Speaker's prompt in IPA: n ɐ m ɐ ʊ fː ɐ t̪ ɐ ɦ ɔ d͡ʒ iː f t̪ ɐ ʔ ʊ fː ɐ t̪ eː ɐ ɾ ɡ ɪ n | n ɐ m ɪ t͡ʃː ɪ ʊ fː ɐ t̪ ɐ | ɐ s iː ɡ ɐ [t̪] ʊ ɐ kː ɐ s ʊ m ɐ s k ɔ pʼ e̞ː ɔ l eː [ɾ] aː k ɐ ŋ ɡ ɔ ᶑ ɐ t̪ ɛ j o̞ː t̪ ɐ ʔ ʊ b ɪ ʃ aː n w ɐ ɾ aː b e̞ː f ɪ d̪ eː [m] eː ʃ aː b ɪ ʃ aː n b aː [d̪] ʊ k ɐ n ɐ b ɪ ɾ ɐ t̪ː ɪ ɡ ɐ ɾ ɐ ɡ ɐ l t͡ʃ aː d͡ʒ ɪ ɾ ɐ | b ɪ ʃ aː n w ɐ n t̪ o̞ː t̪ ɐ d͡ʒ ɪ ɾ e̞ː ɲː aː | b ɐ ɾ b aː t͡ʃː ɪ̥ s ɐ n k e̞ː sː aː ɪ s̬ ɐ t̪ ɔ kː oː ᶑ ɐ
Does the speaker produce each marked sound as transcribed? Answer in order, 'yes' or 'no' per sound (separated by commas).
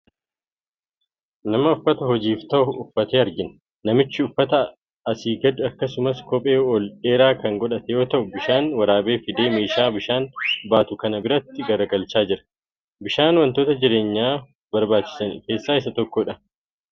no, yes, yes, no